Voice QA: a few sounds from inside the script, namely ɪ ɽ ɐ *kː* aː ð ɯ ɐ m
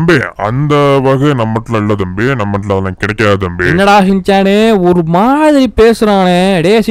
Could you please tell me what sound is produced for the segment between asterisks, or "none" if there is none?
kː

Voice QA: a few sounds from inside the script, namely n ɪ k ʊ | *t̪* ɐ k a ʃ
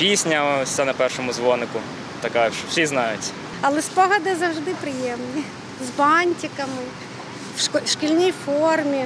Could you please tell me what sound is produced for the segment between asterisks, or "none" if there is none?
t̪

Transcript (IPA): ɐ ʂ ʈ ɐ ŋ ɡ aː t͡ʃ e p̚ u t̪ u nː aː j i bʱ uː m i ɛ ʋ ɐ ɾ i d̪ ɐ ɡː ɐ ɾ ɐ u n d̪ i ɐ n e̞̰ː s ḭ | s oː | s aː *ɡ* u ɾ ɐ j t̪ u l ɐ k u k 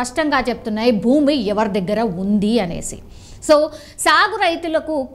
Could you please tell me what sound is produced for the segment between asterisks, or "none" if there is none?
ɡ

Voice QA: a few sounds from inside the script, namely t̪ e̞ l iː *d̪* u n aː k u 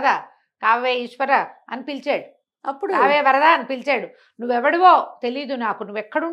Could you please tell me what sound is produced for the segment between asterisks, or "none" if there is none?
d̪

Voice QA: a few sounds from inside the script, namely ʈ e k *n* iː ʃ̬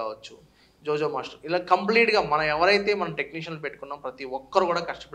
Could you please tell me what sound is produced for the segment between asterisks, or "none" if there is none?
n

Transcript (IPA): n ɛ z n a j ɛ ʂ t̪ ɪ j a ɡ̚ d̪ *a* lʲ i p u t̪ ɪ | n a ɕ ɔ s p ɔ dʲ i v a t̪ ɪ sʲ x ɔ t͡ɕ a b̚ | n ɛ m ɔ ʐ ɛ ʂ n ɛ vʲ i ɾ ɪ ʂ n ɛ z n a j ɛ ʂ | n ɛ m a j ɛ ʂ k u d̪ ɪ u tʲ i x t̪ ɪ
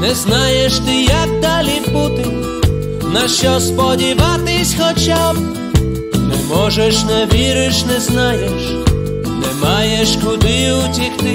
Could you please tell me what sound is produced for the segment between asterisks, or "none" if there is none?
a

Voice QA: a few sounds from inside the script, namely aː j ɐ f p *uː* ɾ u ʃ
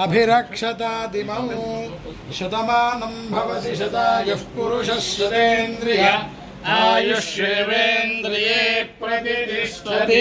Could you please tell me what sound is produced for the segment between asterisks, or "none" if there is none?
u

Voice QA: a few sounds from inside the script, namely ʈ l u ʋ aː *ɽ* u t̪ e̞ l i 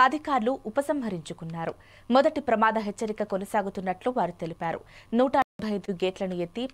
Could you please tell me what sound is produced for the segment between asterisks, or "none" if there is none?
ɾ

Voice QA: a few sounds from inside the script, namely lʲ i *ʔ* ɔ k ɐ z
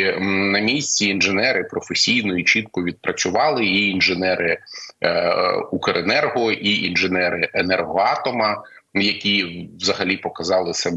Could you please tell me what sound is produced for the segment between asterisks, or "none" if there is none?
p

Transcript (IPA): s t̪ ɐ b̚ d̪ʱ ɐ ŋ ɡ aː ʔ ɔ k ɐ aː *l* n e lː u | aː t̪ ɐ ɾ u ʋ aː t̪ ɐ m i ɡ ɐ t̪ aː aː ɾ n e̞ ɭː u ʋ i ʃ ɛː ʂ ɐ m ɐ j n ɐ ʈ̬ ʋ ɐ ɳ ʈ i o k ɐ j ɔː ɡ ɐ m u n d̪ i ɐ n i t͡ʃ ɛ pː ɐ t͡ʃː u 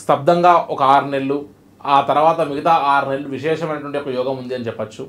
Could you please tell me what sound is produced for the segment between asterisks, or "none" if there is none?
ɾ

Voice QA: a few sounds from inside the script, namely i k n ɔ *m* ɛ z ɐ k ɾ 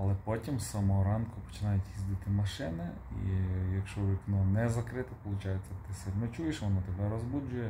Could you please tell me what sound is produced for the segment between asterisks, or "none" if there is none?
n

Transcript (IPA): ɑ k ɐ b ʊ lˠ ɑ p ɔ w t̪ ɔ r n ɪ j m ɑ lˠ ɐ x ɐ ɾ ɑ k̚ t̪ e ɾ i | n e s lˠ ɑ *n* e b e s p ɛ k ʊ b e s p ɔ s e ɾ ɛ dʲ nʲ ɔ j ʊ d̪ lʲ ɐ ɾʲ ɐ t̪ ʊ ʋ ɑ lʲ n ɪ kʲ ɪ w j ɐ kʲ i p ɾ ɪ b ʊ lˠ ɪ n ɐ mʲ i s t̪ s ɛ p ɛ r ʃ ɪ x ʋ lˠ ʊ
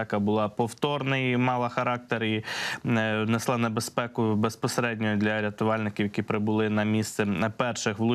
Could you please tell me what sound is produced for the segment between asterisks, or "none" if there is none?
n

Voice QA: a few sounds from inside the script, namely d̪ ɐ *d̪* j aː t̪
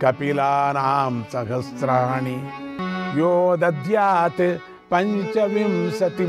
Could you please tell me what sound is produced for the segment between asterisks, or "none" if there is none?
d̪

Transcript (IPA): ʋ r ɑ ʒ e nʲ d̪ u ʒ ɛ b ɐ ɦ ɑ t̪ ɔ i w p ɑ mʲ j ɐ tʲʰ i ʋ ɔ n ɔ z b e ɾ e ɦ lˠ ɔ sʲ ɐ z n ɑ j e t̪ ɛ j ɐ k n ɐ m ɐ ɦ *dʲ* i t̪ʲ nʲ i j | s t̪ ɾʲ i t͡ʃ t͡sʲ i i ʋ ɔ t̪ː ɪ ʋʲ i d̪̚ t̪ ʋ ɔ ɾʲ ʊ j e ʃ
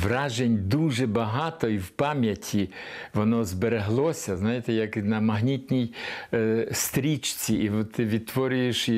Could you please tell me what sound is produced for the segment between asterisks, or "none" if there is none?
nʲ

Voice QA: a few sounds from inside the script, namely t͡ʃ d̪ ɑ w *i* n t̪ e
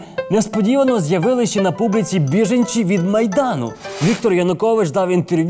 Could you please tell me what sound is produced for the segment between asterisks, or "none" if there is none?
i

